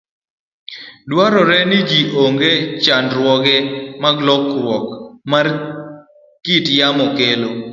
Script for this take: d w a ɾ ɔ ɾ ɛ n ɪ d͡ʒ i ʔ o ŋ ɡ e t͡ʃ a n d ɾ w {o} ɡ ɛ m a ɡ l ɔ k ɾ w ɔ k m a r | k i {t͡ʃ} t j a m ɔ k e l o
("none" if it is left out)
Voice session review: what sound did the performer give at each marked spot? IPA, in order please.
ɔ, none

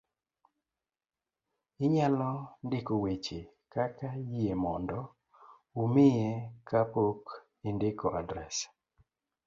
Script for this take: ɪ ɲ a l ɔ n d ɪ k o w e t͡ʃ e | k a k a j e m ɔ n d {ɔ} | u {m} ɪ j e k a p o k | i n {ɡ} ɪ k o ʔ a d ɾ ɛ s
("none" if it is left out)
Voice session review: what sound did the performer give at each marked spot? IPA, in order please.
ɔ, m, d

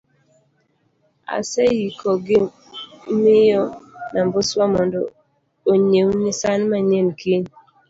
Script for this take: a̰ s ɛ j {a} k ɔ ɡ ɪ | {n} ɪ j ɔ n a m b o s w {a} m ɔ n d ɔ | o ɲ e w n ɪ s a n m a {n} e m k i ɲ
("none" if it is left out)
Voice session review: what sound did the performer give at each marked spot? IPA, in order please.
i, m, a, ɲ

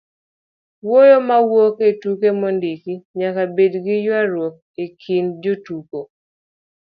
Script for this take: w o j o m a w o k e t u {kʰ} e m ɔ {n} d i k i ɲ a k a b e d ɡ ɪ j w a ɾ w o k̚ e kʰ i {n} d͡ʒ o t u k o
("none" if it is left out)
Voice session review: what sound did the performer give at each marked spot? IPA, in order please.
k, n, n

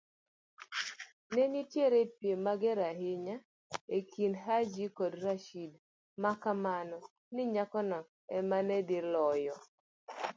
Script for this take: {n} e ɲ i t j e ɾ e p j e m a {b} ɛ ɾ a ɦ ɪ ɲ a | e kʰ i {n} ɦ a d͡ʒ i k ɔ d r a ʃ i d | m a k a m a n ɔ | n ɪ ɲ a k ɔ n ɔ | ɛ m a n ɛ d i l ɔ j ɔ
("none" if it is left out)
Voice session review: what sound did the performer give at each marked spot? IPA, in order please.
n, ɡ, n

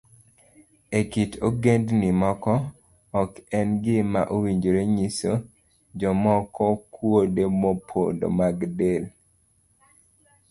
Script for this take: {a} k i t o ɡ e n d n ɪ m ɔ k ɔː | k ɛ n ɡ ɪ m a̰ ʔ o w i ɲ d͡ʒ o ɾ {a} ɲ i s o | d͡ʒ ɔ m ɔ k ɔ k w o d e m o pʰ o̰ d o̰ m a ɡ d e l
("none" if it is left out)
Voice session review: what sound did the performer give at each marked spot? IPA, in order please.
e, e

